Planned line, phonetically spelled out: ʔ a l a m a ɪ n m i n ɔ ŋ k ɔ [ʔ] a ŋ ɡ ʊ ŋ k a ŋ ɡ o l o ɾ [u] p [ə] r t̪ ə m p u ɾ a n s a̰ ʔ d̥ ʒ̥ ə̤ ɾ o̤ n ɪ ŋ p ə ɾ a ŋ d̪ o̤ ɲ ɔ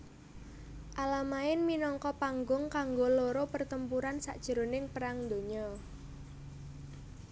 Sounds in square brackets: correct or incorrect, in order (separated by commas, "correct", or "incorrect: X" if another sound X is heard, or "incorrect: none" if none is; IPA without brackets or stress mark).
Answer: incorrect: p, incorrect: o, correct